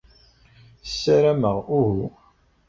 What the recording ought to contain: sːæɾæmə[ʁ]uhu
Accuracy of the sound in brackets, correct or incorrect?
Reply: correct